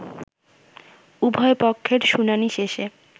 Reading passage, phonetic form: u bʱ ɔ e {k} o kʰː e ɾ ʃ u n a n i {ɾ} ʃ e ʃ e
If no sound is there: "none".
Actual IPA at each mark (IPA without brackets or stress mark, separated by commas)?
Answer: p, none